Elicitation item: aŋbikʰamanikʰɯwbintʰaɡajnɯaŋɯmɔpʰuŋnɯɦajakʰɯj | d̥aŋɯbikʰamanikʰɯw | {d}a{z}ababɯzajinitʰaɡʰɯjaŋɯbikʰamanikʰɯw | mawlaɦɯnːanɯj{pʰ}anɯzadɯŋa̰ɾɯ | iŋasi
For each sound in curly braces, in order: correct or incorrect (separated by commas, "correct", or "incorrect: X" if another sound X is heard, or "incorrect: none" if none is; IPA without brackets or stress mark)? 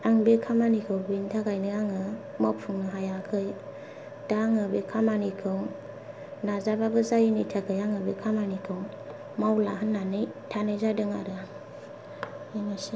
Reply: incorrect: n, correct, incorrect: tʰ